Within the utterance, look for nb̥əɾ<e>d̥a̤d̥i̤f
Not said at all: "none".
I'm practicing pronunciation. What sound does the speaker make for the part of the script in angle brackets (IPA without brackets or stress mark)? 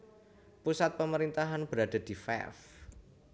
a